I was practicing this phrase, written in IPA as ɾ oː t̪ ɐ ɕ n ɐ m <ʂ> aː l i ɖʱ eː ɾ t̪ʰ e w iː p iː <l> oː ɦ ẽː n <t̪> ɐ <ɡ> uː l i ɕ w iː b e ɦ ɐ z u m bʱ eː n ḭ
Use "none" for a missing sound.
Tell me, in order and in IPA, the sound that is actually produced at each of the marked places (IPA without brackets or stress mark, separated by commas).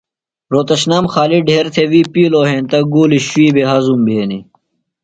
x, l, t̪, ɡ